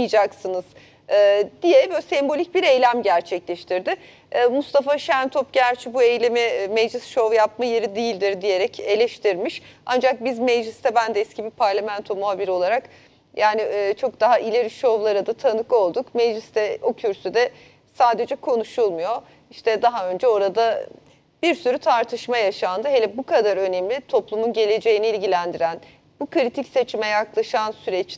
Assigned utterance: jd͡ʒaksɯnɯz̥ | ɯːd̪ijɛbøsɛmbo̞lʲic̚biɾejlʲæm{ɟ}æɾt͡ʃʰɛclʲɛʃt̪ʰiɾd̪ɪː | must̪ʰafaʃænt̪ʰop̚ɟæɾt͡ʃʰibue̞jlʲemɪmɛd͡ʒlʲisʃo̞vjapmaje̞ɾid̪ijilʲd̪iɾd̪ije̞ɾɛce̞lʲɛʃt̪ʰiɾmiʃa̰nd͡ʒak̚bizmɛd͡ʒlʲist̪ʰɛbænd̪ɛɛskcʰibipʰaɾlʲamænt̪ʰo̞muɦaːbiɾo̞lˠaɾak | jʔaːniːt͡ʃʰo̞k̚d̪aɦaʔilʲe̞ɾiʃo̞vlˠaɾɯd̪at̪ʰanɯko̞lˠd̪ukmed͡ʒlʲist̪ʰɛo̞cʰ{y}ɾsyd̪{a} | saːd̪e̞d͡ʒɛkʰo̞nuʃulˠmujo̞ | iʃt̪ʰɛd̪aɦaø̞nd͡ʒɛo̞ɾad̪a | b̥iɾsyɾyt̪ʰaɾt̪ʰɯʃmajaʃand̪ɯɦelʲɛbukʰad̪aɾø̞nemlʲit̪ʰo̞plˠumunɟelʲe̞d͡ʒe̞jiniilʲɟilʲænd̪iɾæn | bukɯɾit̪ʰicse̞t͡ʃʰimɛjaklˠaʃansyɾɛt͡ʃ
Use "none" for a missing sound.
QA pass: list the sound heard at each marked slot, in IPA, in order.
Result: ɟ, y, ɛ

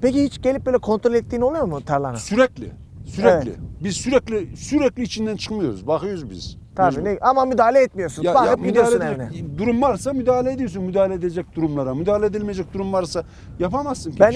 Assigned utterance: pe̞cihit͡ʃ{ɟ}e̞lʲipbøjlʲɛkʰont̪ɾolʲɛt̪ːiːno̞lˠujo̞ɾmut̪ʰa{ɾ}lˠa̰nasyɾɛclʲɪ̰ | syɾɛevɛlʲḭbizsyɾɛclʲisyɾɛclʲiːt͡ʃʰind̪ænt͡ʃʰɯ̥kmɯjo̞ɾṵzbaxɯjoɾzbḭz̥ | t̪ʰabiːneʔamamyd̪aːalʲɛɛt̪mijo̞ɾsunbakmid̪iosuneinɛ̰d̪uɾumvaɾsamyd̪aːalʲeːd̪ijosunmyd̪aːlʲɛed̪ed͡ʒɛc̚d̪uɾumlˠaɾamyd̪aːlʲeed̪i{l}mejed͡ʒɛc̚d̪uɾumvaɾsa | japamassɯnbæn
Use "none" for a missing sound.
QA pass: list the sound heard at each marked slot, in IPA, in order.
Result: ɟ, ɾ, l

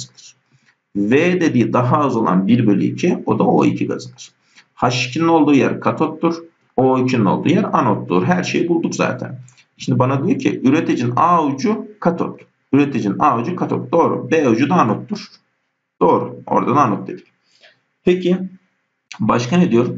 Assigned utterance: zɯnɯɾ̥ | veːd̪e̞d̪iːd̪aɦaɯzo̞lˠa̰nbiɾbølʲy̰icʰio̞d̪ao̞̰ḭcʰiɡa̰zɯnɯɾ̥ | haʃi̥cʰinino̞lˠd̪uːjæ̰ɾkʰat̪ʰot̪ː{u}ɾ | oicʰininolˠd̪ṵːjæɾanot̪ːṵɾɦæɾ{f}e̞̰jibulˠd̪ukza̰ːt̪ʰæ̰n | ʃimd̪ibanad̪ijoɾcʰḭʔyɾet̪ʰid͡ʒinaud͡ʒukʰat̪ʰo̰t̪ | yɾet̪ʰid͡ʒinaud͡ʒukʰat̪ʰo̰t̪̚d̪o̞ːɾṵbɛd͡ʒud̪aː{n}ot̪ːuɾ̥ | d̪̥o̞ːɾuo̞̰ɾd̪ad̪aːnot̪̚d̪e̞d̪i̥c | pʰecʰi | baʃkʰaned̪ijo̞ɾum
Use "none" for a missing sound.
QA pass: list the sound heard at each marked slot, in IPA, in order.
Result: u, ʃ, n

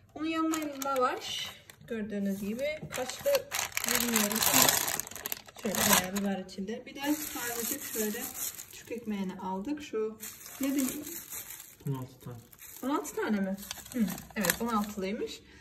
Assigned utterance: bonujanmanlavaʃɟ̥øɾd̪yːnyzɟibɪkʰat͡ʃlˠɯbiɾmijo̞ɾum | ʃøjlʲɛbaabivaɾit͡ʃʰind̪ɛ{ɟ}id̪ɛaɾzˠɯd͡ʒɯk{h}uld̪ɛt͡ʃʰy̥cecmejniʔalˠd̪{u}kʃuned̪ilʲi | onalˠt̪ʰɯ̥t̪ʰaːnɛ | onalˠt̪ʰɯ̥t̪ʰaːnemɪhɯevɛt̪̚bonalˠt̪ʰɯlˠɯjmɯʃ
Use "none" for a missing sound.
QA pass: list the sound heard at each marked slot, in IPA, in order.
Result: b, ʃ, ɯ

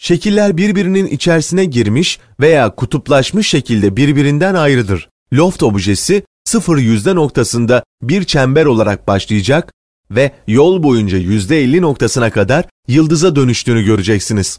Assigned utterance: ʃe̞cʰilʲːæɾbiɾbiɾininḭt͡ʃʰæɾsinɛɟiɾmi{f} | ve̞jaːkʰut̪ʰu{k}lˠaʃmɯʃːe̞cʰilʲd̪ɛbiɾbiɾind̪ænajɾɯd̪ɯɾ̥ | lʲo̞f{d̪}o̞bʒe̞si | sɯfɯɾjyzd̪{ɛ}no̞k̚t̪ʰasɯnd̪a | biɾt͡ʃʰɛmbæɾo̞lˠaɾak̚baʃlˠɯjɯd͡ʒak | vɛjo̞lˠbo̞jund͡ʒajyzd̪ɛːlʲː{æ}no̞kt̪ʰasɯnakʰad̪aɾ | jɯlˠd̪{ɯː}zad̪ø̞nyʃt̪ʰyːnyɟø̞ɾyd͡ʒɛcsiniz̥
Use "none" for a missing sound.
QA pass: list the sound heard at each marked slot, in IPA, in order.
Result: ʃ, p, t̪, ɛ, i, ɯ

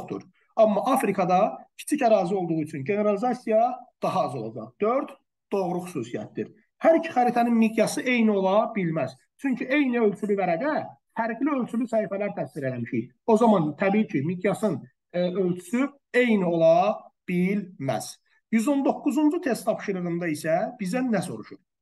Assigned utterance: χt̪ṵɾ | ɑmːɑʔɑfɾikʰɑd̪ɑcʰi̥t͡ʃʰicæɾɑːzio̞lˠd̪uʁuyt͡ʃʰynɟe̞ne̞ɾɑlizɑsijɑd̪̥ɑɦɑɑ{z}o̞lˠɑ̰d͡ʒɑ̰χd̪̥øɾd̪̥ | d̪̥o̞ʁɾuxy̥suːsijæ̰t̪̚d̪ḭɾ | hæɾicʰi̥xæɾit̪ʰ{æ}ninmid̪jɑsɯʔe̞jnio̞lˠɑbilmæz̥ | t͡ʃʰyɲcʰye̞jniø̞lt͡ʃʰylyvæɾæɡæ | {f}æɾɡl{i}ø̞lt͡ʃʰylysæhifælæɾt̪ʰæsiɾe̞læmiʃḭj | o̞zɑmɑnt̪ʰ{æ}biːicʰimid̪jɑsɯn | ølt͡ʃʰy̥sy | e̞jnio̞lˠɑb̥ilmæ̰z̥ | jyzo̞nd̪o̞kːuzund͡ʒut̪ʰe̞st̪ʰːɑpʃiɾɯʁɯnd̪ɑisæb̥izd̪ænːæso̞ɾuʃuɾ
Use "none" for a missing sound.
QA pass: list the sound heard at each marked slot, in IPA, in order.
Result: z, æ, f, i, æ

